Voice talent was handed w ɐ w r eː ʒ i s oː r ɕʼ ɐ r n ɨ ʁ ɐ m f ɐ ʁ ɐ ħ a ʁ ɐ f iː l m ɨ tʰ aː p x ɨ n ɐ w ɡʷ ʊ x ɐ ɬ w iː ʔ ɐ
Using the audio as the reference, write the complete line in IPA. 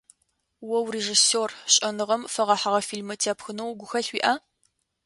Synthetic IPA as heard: w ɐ w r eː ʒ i s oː r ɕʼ ɐ n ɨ ʁ ɐ m f ɐ ʁ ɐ ħ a ʁ ɐ f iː l m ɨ tʰ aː p x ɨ n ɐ w ɡʷ ʊ x ɐ ɬ w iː ʔ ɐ